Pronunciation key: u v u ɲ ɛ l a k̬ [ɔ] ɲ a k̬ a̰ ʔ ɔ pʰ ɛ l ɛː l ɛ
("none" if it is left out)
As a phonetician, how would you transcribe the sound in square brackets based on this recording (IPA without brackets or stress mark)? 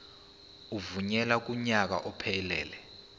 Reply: u